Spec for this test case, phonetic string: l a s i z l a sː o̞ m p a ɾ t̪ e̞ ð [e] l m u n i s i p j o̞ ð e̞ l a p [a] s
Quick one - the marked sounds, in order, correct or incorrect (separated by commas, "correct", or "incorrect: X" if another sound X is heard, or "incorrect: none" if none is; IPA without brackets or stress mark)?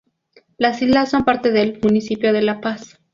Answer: correct, correct